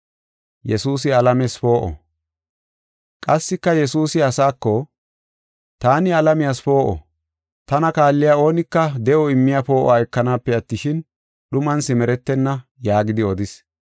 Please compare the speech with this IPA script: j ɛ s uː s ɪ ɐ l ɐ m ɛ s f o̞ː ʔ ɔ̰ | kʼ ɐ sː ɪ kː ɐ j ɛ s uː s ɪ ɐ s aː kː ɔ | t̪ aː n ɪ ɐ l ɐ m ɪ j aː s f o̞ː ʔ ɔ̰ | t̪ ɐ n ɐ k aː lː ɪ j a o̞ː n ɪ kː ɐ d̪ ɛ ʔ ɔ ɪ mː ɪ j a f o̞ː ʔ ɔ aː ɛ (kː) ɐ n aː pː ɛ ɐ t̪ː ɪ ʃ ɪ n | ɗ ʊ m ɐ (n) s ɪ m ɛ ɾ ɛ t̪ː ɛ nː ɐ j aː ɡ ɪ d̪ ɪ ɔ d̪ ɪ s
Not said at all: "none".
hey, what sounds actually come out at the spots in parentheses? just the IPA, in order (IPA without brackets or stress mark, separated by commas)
kː, n